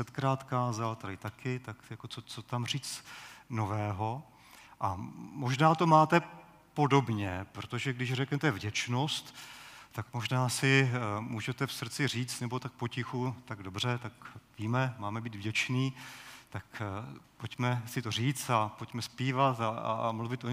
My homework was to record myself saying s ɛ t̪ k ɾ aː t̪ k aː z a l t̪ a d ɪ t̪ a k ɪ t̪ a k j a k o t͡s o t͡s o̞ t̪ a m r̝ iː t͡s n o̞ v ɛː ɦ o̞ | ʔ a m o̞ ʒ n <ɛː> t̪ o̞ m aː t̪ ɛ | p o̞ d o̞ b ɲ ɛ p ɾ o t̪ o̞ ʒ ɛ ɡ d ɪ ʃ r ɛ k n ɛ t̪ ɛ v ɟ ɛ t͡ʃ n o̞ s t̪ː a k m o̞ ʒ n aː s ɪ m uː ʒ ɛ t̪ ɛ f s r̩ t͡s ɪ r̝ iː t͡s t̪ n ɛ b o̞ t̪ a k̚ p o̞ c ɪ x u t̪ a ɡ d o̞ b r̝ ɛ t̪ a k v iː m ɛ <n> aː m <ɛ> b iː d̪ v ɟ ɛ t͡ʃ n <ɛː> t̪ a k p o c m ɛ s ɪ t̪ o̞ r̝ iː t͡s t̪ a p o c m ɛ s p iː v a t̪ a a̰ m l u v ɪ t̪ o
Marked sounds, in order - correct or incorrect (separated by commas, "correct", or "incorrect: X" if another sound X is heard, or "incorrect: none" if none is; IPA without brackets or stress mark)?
incorrect: aː, incorrect: m, correct, incorrect: iː